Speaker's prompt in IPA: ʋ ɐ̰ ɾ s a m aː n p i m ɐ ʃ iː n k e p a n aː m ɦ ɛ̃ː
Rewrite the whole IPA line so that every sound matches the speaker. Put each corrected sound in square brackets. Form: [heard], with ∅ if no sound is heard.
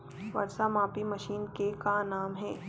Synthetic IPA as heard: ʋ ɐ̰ ɾ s a m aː [∅] p i m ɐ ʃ iː n k e [k] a n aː m ɦ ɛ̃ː